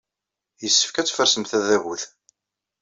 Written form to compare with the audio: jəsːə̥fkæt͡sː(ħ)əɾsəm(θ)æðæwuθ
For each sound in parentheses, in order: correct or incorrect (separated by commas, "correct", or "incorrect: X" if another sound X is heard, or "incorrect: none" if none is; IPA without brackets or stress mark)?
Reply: incorrect: f, correct